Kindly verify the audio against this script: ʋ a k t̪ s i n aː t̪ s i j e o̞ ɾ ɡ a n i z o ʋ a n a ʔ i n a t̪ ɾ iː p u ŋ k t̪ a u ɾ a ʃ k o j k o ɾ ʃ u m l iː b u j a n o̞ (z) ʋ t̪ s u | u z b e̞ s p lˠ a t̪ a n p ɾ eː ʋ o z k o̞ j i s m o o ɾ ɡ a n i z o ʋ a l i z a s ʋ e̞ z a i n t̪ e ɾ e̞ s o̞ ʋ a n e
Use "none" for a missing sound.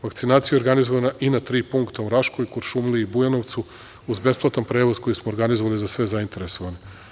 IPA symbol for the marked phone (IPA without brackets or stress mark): none